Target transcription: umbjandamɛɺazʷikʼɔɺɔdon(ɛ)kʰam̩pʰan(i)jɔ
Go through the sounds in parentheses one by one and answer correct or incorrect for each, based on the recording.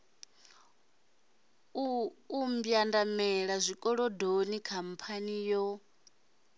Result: incorrect: i, correct

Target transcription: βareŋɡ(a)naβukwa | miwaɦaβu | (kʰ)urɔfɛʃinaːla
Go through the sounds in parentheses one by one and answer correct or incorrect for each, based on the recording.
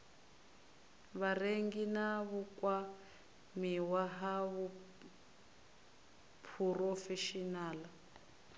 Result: incorrect: i, incorrect: pʰ

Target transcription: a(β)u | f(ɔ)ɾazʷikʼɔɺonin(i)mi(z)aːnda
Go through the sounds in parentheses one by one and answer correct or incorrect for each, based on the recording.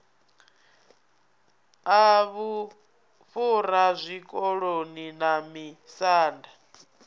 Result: correct, incorrect: u, incorrect: a, incorrect: s

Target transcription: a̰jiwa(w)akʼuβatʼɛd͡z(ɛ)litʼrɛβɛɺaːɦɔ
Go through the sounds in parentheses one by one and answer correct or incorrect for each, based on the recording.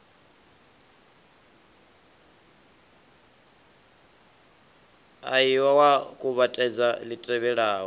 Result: correct, incorrect: a

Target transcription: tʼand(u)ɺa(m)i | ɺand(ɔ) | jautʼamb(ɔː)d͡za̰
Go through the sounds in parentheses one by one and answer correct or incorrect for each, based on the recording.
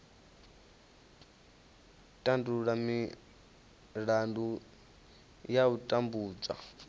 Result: correct, correct, incorrect: u, incorrect: uː

